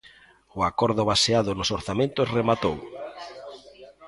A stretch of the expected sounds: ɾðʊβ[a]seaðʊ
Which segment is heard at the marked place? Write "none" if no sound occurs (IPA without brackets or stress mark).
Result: a